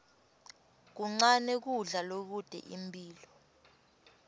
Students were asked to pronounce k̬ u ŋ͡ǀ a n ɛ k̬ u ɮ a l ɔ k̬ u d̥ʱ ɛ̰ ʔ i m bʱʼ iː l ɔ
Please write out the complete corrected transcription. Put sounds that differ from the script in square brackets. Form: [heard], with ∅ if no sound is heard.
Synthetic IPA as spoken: k̬ u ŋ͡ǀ a n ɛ k̬ u ɮ a l [o] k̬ u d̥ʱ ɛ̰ ʔ i m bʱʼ iː l ɔ